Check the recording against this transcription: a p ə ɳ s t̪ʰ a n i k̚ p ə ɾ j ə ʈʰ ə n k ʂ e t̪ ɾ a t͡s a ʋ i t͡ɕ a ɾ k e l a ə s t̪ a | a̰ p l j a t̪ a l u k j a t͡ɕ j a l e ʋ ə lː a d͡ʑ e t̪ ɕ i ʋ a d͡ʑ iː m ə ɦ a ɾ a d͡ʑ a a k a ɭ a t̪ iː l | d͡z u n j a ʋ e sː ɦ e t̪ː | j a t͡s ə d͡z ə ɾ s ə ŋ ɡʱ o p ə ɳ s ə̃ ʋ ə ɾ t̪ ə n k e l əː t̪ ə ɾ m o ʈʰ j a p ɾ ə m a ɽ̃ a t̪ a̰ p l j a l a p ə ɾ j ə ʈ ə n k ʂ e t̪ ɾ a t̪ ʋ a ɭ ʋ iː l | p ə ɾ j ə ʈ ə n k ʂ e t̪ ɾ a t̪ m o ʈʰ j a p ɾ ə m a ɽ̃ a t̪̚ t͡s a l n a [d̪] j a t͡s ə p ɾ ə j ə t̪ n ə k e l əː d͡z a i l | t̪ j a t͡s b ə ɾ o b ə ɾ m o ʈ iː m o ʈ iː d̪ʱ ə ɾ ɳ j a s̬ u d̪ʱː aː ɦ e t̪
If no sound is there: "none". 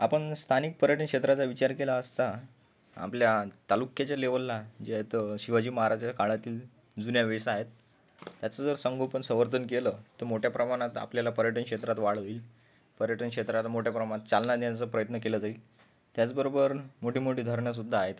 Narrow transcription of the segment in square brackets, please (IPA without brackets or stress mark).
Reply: d̪